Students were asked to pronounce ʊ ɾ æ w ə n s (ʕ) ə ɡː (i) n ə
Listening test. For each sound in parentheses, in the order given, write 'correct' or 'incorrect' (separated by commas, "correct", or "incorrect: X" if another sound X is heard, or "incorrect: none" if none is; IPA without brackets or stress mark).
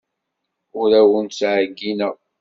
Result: correct, correct